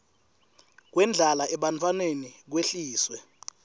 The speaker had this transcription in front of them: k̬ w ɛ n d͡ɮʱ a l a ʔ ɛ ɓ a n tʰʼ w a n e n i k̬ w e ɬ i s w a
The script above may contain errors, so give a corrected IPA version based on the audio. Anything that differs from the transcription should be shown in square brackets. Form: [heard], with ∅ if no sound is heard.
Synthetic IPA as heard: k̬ w ɛ n d͡ɮʱ a l a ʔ ɛ ɓ a n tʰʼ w a n e n i k̬ w e ɬ [iː] s w [ɛ]